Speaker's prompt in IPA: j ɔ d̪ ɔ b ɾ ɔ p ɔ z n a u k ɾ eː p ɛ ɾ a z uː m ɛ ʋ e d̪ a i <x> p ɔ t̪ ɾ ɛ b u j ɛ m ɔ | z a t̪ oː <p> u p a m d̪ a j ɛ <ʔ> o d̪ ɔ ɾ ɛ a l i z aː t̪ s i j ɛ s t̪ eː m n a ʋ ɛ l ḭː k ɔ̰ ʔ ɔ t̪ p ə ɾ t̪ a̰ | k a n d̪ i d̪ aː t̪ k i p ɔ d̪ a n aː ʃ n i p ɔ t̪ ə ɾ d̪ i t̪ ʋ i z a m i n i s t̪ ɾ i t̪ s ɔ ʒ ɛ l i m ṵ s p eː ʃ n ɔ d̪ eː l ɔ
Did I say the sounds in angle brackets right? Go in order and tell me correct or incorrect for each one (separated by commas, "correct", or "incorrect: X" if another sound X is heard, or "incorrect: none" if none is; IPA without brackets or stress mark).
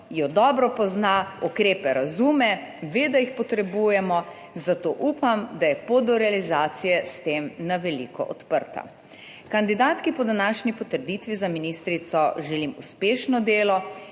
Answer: correct, incorrect: ʔ, incorrect: p